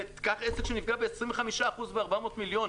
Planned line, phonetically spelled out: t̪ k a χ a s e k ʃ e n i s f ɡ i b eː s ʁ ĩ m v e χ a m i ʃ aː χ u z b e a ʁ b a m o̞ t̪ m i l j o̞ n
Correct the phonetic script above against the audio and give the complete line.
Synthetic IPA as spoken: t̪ k a χ e s e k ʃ e n i f ɡ a b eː s ʁ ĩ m v e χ a m i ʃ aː χ u z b e a ʁ b a m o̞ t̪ m i l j o̞ n